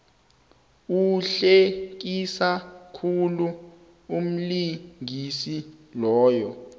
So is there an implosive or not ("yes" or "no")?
no